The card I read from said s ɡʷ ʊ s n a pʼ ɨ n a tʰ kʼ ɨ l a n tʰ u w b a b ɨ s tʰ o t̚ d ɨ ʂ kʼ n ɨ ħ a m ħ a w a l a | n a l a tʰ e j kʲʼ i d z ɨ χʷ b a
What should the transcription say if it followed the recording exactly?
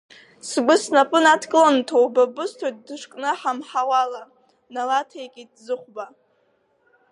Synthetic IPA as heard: s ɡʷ ʊ s n a pʼ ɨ n a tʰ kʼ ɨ l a n tʰ o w b a b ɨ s tʰ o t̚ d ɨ ʂ kʼ n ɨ ħ a m ħ a w a l a | n a l a tʰ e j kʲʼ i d z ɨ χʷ b a